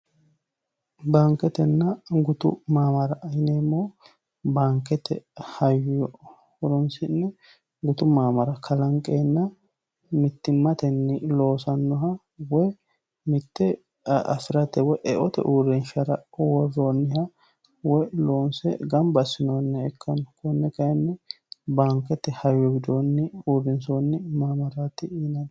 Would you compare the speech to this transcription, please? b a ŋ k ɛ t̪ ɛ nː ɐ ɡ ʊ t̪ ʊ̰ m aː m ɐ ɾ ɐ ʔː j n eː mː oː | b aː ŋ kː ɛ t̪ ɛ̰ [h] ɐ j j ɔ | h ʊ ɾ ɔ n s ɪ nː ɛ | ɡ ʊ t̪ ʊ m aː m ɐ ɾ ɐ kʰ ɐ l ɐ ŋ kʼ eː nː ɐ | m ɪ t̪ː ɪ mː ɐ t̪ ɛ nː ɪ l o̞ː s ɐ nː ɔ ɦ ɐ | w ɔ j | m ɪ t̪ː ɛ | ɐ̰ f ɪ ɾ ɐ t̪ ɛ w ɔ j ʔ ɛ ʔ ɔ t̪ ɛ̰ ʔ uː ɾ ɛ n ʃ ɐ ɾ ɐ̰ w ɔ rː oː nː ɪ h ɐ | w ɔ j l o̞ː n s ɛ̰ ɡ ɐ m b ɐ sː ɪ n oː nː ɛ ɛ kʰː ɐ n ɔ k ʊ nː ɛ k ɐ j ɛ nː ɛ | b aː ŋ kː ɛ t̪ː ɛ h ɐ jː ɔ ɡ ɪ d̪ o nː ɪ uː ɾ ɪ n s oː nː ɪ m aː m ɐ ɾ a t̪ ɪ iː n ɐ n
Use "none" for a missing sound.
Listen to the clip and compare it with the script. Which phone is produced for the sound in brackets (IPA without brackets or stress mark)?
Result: h